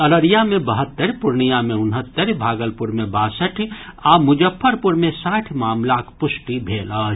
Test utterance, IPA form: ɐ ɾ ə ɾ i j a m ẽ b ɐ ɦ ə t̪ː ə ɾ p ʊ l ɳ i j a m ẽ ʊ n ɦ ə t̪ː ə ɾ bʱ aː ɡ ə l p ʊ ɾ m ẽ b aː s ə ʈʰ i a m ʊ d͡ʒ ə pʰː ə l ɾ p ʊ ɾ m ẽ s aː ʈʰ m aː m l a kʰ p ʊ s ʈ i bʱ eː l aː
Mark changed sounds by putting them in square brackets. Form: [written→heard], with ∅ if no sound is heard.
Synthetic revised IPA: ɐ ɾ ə ɾ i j a m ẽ b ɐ ɦ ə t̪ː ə ɾ p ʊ [l→ɾ] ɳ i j a m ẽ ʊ n ɦ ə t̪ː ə ɾ bʱ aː ɡ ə l p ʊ ɾ m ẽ b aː s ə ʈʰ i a m ʊ d͡ʒ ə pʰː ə [l→∅] ɾ p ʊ ɾ m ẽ s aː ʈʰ m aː m l a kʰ p ʊ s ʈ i bʱ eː l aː